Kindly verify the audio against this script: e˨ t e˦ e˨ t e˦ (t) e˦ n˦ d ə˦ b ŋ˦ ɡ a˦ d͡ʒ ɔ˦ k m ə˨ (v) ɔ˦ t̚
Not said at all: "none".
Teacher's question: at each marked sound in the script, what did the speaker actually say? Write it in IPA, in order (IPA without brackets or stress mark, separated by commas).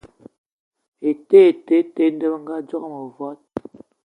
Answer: t, v